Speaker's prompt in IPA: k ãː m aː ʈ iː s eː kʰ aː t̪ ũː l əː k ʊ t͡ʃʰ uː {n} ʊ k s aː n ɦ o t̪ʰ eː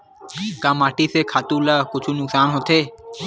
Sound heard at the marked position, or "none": n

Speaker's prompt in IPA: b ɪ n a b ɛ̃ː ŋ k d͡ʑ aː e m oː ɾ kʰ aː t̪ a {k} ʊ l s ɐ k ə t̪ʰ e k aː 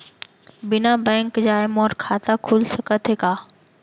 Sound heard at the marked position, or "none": kʰ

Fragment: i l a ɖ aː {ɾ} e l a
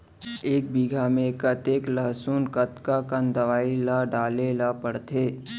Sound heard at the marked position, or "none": l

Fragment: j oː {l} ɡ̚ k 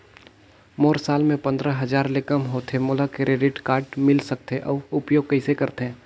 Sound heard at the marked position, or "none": none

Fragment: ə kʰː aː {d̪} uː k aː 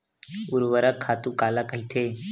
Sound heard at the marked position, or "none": t̪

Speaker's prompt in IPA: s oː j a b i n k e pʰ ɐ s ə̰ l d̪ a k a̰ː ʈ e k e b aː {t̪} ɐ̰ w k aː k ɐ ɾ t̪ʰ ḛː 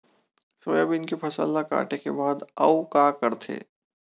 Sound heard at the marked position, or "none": d̪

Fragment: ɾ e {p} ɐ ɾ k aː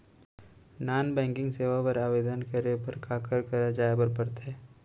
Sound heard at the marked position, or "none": p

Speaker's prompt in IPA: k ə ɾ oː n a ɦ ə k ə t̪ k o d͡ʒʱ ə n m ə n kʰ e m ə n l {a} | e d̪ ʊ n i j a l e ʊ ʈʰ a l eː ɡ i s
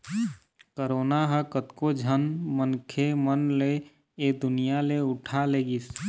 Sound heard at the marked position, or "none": e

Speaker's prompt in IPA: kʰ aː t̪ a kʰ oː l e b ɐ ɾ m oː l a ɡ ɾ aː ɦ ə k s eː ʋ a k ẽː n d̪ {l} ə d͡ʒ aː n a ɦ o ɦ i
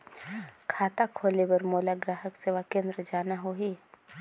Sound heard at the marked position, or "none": ɾ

